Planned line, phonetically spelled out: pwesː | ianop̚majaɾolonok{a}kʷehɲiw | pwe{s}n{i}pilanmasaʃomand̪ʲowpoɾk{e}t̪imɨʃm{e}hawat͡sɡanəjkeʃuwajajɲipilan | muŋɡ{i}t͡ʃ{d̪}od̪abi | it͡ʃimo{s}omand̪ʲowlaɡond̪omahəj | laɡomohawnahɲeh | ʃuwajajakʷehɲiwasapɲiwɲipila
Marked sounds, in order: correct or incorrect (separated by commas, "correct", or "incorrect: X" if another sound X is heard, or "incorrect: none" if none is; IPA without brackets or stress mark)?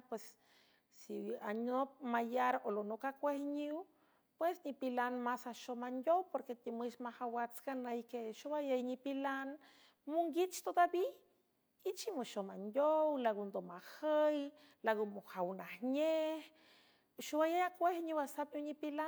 correct, correct, correct, correct, incorrect: a, correct, incorrect: t̪, incorrect: ʃ